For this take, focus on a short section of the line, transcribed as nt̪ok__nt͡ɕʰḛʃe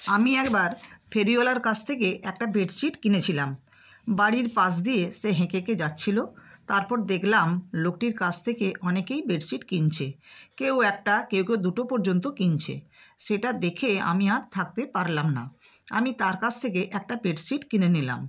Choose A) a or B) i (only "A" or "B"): B